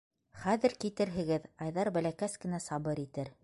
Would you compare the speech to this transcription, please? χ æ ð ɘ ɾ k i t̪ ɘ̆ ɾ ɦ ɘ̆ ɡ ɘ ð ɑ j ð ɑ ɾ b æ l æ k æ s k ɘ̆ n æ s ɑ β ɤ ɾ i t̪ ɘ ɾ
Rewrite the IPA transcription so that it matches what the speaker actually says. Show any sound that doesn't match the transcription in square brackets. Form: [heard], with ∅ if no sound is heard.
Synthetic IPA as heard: χ æ ð ɘ ɾ k i t̪ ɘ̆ ɾ ɦ ɘ̆ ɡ ɘ ð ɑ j ð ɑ ɾ b æ l æ k æ s k ɘ̆ n æ s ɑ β ɤ ɾ i t̪ ɘ ɾ

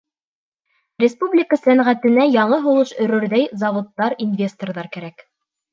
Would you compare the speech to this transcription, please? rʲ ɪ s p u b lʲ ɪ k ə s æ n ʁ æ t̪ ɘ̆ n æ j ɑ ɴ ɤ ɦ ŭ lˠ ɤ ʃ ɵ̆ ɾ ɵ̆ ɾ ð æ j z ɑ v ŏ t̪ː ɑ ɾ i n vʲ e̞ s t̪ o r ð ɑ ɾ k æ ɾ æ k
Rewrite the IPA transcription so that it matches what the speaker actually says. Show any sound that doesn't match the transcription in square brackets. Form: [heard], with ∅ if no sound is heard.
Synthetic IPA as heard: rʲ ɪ s p u b lʲ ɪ k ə s æ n ʁ æ t̪ ɘ̆ n æ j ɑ ɴ ɤ ɦ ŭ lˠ ɤ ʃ ɵ̆ ɾ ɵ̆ ɾ ð æ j z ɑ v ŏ t̪ː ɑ ɾ i n vʲ e̞ s t̪ o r ð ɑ ɾ k æ ɾ æ k

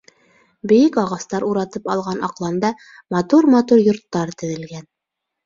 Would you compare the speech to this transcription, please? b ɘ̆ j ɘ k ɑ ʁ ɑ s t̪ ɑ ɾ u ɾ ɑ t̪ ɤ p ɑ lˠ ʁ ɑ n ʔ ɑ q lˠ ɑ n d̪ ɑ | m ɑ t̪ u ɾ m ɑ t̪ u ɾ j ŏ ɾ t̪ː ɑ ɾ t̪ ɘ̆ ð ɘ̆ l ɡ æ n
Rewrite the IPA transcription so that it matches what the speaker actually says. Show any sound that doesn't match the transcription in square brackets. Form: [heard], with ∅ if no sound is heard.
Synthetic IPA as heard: b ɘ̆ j ɘ k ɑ ʁ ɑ s t̪ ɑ ɾ u ɾ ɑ t̪ ɤ p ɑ lˠ ʁ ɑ n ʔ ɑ q lˠ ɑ n d̪ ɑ | m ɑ t̪ u ɾ m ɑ t̪ u ɾ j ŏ ɾ t̪ː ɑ ɾ t̪ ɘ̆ ð ɘ̆ l ɡ æ n

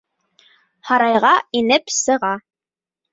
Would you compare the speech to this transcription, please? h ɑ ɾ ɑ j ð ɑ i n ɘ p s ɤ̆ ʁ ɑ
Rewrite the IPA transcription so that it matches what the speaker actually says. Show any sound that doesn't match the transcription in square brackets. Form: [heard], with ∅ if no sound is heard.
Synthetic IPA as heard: h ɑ ɾ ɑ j [ʁ] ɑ i n ɘ p s ɤ̆ ʁ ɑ

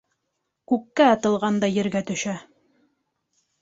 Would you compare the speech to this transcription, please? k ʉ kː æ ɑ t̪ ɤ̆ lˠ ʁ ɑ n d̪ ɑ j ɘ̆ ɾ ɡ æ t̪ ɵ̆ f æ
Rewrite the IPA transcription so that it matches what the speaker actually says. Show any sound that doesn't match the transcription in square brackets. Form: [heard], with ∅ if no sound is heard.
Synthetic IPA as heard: k ʉ kː æ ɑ t̪ ɤ̆ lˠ ʁ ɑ n d̪ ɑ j ɘ̆ ɾ ɡ æ t̪ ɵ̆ [ʃ] æ

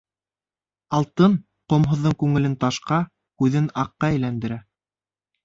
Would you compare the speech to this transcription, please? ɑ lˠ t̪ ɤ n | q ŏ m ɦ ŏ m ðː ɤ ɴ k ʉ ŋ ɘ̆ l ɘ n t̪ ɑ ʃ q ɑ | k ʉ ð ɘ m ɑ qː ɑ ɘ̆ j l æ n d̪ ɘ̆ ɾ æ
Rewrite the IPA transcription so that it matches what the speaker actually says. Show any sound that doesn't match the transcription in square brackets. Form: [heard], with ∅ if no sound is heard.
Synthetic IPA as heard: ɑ lˠ t̪ ɤ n | q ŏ m ɦ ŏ [∅] ðː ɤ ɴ k ʉ ŋ ɘ̆ l ɘ n t̪ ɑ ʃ q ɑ | k ʉ ð ɘ [n] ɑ qː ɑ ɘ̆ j l æ n d̪ ɘ̆ ɾ æ

